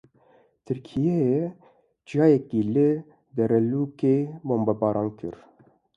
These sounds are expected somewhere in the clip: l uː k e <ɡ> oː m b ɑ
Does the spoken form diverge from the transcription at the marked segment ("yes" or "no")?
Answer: yes